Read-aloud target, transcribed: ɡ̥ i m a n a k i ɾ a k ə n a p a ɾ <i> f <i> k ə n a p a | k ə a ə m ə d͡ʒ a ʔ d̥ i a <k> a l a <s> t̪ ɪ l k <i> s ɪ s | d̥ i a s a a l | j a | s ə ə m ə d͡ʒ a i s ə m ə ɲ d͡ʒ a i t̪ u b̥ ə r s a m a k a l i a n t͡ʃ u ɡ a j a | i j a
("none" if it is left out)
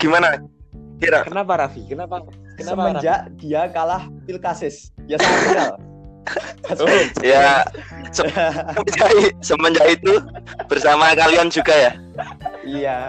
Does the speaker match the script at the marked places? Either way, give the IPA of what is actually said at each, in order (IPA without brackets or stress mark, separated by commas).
a, i, k, h, a